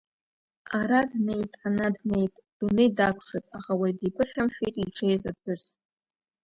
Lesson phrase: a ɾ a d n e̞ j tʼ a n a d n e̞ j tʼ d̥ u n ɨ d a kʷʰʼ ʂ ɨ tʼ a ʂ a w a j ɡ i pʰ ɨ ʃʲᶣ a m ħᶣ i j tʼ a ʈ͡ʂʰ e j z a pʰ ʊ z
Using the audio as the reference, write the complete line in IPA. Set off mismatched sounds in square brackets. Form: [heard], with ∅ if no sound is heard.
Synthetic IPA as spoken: a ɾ a d n e̞ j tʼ a n a d n e̞ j tʼ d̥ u n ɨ d a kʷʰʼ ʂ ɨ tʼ a [χ] a w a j [d] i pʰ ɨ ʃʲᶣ a m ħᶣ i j tʼ [i] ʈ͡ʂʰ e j z a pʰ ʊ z